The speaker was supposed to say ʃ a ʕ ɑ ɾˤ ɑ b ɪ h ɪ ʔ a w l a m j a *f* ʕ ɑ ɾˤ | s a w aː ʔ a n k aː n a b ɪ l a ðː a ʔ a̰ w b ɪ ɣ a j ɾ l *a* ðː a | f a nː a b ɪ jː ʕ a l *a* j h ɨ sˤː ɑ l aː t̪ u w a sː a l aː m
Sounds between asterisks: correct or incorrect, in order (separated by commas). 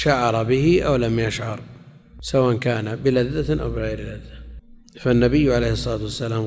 incorrect, correct, incorrect